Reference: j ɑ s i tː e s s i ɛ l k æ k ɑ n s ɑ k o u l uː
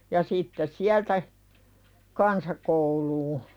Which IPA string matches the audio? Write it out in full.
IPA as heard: j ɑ s i tː e s s i æ l t æ k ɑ n s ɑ k o u l uː